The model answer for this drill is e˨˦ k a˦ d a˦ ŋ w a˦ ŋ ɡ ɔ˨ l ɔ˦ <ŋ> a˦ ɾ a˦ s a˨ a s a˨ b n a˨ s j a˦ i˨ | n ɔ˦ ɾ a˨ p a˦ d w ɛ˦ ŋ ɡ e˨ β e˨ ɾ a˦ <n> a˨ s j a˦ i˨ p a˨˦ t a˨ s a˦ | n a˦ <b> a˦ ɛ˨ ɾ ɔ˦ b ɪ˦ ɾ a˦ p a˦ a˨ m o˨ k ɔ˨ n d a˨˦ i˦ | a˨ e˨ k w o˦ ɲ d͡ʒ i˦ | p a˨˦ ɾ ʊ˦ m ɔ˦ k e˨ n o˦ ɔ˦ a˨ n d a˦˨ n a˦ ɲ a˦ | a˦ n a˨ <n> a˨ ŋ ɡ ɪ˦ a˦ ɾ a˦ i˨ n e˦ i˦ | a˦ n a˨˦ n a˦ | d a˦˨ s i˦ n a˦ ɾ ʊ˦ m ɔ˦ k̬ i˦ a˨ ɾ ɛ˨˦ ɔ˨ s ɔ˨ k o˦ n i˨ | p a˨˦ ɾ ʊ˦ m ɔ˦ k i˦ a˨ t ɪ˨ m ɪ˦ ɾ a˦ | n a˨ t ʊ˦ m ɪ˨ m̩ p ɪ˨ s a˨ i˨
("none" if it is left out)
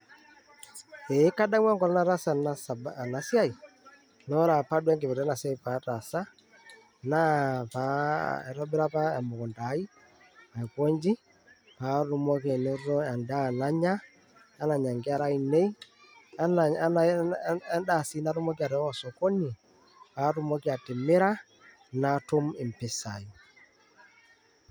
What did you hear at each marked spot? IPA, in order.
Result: n, n, p, ɲ

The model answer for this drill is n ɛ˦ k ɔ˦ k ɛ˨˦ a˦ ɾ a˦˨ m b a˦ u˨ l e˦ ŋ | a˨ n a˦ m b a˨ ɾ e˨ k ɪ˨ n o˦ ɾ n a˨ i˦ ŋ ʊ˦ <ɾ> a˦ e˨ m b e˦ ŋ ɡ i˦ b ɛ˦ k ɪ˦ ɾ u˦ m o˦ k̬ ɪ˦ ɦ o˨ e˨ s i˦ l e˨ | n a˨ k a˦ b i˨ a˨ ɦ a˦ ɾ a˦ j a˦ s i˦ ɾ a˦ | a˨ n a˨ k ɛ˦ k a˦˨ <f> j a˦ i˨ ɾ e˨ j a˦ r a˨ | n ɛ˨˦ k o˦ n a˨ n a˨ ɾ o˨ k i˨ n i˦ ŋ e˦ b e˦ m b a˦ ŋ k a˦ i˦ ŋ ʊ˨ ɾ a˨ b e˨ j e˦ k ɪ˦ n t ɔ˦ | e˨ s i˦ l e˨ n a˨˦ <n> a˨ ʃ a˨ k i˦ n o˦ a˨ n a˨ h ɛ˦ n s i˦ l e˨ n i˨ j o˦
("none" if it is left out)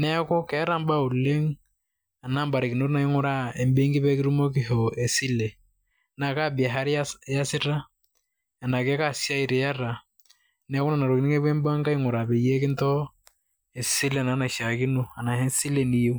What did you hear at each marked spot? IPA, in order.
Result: ɾ, s, n

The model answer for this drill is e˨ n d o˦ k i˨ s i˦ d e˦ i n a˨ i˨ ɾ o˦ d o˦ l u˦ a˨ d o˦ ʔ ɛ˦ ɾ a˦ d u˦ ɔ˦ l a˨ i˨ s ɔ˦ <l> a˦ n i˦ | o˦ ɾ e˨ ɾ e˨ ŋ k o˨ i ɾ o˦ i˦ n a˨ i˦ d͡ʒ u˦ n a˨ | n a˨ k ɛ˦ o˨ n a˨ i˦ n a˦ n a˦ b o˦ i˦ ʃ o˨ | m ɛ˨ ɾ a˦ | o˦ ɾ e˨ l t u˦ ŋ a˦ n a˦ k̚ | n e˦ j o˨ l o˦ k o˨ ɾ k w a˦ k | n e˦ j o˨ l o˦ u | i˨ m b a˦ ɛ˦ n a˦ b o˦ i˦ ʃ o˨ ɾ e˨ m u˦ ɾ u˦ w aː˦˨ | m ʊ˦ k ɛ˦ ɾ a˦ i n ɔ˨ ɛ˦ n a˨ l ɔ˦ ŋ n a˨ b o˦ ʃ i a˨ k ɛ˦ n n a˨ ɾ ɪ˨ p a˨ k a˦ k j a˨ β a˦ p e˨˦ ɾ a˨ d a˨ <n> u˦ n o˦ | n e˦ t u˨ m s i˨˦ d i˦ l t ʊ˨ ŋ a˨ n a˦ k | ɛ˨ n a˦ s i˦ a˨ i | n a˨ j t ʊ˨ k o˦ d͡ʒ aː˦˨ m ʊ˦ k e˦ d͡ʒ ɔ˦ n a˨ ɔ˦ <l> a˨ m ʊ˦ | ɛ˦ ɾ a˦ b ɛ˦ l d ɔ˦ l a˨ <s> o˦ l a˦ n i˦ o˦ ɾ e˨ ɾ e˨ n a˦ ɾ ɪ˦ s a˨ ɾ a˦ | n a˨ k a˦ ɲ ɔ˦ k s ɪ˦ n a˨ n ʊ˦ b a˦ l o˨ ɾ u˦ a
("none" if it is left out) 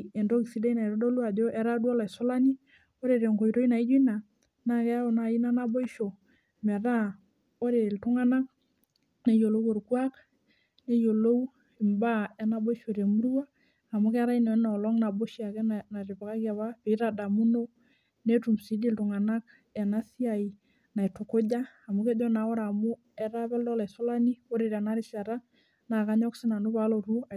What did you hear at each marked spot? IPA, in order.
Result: l, m, ɾ, s

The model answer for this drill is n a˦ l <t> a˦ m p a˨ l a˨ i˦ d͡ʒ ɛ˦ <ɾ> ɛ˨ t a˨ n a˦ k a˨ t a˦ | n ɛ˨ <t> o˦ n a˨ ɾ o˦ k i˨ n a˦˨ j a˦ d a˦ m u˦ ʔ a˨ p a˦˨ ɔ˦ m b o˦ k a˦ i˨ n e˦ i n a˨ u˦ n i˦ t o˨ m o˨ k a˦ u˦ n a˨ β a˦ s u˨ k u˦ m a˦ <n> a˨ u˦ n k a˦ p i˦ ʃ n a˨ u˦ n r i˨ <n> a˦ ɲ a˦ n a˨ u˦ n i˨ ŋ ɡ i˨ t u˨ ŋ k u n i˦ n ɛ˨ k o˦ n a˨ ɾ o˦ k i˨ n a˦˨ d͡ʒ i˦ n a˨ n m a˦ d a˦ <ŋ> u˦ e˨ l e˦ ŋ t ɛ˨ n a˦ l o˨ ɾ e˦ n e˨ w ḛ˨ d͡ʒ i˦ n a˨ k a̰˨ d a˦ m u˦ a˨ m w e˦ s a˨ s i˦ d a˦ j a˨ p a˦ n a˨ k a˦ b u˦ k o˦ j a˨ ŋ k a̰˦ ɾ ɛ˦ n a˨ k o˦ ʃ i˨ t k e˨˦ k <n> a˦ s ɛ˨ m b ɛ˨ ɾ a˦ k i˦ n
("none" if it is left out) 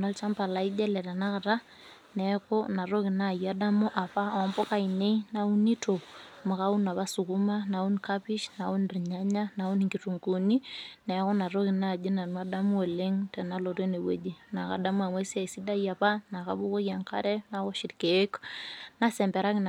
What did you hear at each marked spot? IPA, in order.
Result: t͡ʃ, l, k, n, ɲ, m, n

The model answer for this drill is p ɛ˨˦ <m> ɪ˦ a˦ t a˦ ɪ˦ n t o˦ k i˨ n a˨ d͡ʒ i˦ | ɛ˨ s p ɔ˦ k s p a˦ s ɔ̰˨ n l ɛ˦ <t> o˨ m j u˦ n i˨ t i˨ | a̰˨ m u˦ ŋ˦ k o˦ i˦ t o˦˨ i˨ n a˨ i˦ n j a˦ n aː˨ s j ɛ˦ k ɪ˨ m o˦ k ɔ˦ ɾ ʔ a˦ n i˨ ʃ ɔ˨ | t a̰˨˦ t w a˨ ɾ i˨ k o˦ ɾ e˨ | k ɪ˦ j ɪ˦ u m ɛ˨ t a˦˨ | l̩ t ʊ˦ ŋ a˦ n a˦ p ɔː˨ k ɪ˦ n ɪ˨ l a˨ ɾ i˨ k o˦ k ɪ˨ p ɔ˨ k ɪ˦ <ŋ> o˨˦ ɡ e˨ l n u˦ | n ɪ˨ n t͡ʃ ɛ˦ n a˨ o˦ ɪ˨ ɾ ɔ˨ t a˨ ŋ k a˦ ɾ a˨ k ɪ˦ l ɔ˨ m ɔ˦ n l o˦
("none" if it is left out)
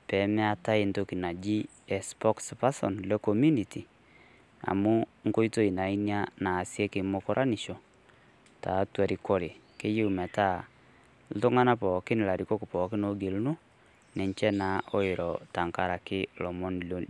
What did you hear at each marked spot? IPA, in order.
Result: m, k, n

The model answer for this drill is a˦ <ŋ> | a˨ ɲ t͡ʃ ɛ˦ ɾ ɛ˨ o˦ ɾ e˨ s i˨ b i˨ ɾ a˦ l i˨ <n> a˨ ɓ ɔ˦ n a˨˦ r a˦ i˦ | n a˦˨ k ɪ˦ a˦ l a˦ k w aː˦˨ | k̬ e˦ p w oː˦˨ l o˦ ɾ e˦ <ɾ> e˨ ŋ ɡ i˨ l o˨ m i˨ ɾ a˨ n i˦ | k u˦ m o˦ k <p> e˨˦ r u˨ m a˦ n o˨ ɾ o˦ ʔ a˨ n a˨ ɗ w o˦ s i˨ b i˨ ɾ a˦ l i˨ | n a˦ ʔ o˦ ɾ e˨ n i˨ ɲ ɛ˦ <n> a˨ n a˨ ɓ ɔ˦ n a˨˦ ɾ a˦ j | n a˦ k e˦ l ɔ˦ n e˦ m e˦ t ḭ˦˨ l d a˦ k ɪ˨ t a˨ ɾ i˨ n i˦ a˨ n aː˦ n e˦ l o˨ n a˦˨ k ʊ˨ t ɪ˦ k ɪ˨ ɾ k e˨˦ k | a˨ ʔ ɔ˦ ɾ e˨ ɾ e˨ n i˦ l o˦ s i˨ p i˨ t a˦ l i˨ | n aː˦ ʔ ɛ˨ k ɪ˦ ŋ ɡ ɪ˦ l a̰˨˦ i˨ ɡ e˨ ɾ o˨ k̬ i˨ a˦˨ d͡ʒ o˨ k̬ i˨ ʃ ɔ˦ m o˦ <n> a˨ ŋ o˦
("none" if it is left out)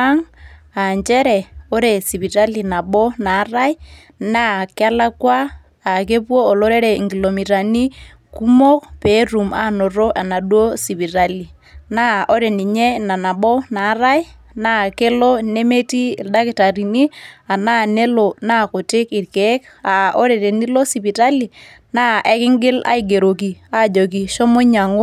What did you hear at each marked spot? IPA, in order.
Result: ŋ, n, ɾ, p, n, ɲ

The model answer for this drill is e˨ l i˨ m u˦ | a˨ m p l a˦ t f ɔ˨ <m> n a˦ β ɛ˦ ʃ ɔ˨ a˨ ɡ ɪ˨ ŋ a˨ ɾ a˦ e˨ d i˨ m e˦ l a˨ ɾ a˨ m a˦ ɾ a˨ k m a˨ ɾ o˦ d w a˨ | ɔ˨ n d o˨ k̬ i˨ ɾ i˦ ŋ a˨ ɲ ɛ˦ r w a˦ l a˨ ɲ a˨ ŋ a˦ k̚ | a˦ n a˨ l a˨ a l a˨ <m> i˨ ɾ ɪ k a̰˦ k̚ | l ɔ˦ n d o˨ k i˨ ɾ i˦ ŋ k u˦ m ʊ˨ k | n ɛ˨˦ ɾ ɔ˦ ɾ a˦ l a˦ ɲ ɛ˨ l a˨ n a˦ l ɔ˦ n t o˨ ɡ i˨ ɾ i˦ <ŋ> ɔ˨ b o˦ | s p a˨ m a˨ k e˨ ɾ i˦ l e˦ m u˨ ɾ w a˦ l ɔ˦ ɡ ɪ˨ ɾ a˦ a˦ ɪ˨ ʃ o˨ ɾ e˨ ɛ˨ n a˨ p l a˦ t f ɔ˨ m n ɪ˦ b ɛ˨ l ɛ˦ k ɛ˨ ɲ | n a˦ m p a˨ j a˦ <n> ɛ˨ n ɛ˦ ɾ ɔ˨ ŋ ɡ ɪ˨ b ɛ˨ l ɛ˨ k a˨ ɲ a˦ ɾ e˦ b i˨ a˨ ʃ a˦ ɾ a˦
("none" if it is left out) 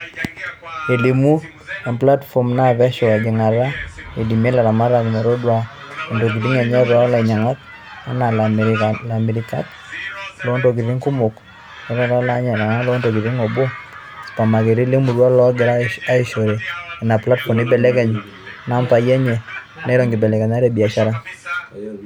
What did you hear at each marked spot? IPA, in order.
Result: m, m, ŋ, ɲ

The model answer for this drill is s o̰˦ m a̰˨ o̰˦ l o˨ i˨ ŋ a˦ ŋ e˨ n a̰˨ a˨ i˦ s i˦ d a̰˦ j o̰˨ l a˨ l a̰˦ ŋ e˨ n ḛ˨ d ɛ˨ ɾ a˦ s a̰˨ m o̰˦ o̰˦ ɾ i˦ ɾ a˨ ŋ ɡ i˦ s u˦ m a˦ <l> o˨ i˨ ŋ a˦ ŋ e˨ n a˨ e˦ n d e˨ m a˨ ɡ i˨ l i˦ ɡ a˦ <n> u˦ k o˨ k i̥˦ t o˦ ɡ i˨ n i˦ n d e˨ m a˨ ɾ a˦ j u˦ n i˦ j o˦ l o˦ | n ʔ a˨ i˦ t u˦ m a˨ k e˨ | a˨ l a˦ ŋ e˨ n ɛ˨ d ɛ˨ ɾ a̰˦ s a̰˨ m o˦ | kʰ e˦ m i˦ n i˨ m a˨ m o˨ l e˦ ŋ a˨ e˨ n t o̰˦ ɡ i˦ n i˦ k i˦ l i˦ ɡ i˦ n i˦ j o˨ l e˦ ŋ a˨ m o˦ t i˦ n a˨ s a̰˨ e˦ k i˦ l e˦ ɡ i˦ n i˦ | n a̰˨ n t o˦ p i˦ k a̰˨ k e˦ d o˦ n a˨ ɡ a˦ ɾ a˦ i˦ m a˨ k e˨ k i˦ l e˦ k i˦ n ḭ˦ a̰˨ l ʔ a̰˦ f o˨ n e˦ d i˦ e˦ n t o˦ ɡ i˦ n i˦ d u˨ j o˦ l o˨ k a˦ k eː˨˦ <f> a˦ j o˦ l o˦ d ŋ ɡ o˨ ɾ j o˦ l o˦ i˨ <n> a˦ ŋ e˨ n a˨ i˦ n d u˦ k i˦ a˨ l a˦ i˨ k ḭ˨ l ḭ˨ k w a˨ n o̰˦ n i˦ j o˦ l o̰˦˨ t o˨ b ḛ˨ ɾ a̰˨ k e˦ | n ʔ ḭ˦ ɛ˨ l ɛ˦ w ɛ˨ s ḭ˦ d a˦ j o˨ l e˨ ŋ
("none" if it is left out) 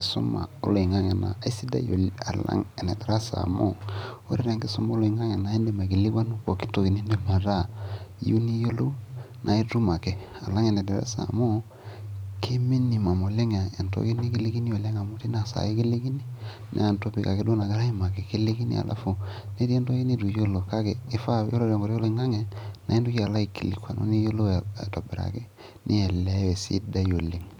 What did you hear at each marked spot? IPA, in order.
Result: l, n, f, ŋ

